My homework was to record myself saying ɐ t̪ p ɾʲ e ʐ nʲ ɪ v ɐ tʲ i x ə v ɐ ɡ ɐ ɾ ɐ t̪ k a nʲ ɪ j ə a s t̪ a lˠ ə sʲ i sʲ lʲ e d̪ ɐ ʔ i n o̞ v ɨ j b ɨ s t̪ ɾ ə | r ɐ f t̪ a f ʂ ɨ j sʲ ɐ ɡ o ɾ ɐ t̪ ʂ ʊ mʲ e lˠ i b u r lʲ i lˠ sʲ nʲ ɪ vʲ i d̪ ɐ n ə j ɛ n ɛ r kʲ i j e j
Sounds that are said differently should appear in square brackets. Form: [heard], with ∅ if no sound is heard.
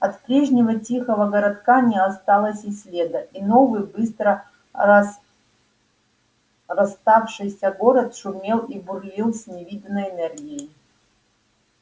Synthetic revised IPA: ɐ t̪ p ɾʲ e ʐ nʲ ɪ v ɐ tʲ i x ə v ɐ ɡ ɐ ɾ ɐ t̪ k a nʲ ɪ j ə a s t̪ a lˠ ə sʲ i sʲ lʲ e d̪ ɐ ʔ i n o̞ v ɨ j b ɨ s t̪ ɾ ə | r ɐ [s] t̪ a f ʂ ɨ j sʲ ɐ ɡ o ɾ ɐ t̪ ʂ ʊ mʲ e lˠ i b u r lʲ i lˠ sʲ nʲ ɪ vʲ i d̪ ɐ n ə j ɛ n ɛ r [ɡʲ] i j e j

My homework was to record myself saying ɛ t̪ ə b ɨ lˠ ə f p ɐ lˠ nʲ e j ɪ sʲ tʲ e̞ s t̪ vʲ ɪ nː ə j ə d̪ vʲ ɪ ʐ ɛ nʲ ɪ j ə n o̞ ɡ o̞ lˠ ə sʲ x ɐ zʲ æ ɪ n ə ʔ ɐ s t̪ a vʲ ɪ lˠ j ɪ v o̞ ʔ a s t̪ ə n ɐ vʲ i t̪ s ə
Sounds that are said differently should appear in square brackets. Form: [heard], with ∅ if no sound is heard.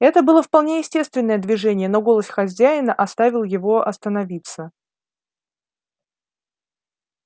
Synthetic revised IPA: ɛ t̪ ə b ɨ lˠ ə f p ɐ lˠ nʲ e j ɪ sʲ tʲ e̞ s t̪ vʲ ɪ nː ə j ə d̪ vʲ ɪ ʐ ɛ nʲ ɪ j ə n o̞ ɡ o̞ lˠ ə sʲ x ɐ zʲ æ ɪ n ə ʔ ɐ s t̪ a vʲ ɪ lˠ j ɪ v o̞ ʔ [ɐ] s t̪ ə n ɐ vʲ i t̪ s ə

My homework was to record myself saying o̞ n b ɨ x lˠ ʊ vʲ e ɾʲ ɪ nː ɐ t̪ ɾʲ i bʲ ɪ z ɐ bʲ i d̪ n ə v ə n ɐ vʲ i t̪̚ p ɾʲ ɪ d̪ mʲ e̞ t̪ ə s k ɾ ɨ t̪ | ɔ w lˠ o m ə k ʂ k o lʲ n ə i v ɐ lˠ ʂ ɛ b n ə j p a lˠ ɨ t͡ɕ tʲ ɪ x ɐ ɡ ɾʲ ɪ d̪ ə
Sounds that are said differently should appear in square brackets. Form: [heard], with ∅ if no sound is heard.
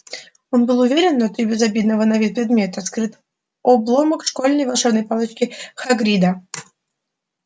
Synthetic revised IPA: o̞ n b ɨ [∅] lˠ ʊ vʲ e ɾʲ ɪ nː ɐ t̪ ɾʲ i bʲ ɪ z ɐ bʲ i d̪ n ə v ə n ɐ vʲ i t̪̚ p ɾʲ ɪ d̪ mʲ e̞ t̪ ə s k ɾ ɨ t̪ | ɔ [b] lˠ o m ə k ʂ k o lʲ n ə [j] v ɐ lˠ ʂ ɛ b n ə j p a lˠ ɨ t͡ɕ [kʲ] ɪ x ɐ ɡ ɾʲ [i] d̪ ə

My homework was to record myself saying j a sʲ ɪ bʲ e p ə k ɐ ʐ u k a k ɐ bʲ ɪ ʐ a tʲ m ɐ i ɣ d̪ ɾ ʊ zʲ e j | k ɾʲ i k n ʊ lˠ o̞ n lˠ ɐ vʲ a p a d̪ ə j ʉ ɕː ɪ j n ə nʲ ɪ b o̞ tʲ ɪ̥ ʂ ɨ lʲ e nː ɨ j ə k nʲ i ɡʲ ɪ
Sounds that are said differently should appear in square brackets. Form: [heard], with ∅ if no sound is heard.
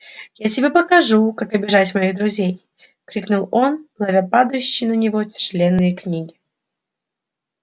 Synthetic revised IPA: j a [tʲ] ɪ bʲ e p ə k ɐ ʐ u k a k ɐ bʲ ɪ ʐ a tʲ m ɐ i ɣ d̪ ɾ ʊ zʲ e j | k ɾʲ i k n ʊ lˠ o̞ n lˠ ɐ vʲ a p a d̪ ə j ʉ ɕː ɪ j n ə nʲ ɪ [v] o̞ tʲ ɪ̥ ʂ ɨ lʲ e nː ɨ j ə k nʲ i ɡʲ ɪ

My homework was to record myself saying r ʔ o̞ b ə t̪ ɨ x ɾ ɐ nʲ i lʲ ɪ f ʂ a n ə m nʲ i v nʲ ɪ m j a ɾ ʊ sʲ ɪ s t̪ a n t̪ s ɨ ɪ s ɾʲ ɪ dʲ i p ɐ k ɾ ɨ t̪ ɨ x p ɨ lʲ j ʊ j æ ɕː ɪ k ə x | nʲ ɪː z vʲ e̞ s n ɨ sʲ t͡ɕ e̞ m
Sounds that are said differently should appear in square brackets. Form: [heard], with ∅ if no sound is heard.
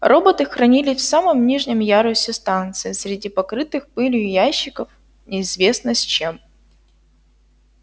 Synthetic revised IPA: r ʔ o̞ b ə t̪ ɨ x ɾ ɐ nʲ i lʲ ɪ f [s] a [m] ə m nʲ i [ʐ] nʲ ɪ m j a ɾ ʊ sʲ ɪ s t̪ a n t̪ s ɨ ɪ s ɾʲ ɪ dʲ i p ɐ k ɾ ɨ t̪ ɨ x p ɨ lʲ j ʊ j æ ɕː ɪ k ə [f] | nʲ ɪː z vʲ e̞ s n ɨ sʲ t͡ɕ e̞ m

